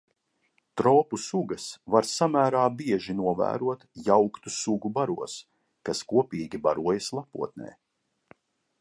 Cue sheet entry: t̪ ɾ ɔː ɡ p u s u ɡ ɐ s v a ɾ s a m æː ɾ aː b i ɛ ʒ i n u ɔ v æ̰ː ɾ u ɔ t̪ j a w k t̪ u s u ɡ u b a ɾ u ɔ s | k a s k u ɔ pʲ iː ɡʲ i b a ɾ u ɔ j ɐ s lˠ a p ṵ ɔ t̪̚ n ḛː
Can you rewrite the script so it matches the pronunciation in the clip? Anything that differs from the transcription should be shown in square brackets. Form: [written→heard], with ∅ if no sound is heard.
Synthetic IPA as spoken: t̪ ɾ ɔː [ɡ→∅] p u s u ɡ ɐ s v a ɾ s a m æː ɾ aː b i ɛ ʒ i n u ɔ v æ̰ː ɾ u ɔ t̪ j a w k t̪ u s u ɡ u b a ɾ u ɔ s | k a s k u ɔ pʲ iː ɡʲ i b a ɾ u ɔ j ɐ s lˠ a p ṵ ɔ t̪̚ n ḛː

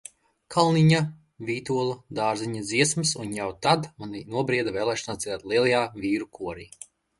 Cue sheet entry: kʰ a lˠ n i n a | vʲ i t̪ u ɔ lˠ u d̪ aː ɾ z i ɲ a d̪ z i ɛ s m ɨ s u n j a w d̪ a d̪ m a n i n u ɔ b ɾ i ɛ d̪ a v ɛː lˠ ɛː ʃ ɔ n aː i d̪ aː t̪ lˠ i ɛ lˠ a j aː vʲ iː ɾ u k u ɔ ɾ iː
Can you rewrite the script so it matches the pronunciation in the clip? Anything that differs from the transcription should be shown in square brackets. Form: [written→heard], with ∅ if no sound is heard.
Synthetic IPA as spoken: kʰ a lˠ n i [n→ɲ] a | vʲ [i→iː] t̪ u ɔ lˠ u d̪ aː ɾ z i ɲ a d̪ z i ɛ s m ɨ s u n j a w [d̪→t̪] a d̪ m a n i n u ɔ b ɾ i ɛ d̪ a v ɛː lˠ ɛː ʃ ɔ n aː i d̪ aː t̪ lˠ i ɛ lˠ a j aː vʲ iː ɾ u k u ɔ ɾ iː

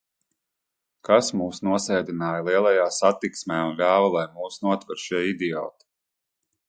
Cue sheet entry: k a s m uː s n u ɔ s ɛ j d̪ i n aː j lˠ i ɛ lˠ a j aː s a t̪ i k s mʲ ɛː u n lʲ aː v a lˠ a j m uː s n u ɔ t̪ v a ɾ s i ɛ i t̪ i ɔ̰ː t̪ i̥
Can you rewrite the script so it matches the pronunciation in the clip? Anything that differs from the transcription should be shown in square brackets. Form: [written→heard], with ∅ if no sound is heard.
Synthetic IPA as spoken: k a s m uː s n u ɔ s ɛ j d̪ i n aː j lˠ i ɛ lˠ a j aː s a t̪ i k s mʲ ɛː u n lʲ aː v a lˠ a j m uː s n u ɔ t̪ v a ɾ [s→ʃ] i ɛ i [t̪→d̪] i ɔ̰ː t̪ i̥

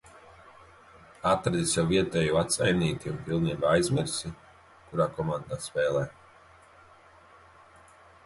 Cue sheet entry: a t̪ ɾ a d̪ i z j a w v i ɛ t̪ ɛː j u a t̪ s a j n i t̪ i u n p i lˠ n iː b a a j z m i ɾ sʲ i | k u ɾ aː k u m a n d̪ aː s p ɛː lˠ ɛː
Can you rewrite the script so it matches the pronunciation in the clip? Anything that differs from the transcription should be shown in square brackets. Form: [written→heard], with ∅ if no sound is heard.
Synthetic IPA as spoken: a t̪ ɾ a d̪ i [z→s] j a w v i ɛ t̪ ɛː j u a t̪ s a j n [i→iː] t̪ i u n p i lˠ n iː b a a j z m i ɾ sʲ i | k u ɾ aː k [u→ɔ] m a n d̪ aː s p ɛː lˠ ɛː

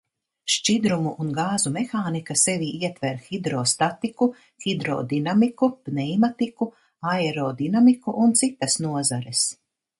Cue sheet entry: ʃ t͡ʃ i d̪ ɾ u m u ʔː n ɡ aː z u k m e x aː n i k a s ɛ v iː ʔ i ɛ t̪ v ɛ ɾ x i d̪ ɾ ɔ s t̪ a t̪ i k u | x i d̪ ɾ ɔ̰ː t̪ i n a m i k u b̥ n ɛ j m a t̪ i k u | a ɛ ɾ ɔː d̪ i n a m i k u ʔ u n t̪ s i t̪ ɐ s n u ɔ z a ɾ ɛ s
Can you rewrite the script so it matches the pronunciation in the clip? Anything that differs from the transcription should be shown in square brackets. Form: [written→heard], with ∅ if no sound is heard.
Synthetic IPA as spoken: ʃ t͡ʃ i d̪ ɾ u m u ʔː n ɡ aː z u [k→∅] m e x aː n i k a s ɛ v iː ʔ i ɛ t̪ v ɛ ɾ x i d̪ ɾ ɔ s t̪ a t̪ i k u | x i d̪ ɾ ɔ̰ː [t̪→d̪] i n a m i k u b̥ n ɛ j m a t̪ i k u | a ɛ ɾ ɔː d̪ i n a m i k u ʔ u n t̪ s i t̪ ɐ s n u ɔ z a ɾ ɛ s

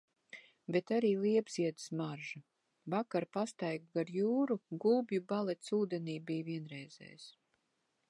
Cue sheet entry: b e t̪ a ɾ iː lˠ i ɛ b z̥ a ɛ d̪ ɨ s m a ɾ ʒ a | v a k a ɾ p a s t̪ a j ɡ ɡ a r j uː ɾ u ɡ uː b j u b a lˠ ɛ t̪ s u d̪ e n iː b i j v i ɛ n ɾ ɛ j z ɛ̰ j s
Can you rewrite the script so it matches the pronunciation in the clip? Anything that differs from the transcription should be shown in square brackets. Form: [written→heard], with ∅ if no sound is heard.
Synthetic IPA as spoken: b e t̪ a ɾ iː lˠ i ɛ b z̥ [a→i] ɛ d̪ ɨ s m a ɾ ʒ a | v a k a ɾ p a s t̪ a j ɡ ɡ a [r→ɾ] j uː ɾ u ɡ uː b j u b a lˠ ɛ t̪ s [u→uː] d̪ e n iː b i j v i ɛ n ɾ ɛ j z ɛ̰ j s

